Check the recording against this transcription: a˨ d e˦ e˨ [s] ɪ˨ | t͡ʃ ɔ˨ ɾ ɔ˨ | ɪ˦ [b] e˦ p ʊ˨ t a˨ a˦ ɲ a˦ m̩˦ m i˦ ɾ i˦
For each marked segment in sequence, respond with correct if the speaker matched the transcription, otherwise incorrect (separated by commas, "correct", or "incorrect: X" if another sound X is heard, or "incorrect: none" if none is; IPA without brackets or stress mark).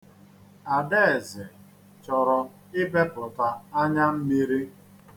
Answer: incorrect: z, correct